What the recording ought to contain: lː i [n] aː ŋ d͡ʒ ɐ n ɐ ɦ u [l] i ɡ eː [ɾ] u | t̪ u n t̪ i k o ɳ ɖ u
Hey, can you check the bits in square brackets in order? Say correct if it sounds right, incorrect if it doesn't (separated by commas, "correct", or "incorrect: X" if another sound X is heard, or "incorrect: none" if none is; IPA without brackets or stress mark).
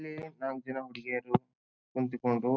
correct, incorrect: ɽ, correct